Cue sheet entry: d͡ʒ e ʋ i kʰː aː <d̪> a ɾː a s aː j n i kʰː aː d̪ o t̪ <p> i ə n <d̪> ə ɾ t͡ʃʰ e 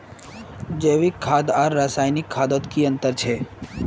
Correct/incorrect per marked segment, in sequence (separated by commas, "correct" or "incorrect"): correct, incorrect, incorrect